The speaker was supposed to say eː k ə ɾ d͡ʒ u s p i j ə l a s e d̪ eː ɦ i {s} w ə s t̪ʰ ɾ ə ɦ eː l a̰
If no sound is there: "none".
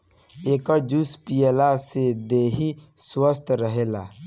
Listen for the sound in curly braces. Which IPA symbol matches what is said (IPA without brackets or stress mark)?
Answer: s